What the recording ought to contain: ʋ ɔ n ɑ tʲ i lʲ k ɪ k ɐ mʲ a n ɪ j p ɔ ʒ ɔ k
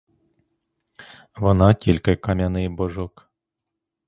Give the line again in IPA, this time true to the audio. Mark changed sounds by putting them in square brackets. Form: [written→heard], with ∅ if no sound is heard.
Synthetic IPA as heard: ʋ ɔ n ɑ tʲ i lʲ k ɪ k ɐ mʲ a n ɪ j [p→b] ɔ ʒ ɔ k